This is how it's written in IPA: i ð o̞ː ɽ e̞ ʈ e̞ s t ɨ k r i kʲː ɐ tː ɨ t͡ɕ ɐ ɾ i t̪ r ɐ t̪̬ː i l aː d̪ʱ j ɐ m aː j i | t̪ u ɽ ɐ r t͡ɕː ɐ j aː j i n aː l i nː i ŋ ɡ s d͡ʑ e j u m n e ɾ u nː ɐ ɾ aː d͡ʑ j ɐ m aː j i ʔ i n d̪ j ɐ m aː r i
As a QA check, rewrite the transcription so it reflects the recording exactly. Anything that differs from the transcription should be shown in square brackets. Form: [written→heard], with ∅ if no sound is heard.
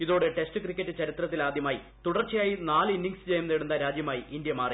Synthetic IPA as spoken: i ð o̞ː ɽ e̞ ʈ e̞ s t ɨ k r i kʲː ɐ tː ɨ t͡ɕ ɐ ɾ i t̪ r ɐ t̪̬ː i l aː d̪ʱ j ɐ m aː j i | t̪ u ɽ ɐ r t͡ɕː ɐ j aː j i n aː l i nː i ŋ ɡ s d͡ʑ e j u m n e [ɾ→ɽ] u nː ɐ ɾ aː d͡ʑ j ɐ m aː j i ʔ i n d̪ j ɐ m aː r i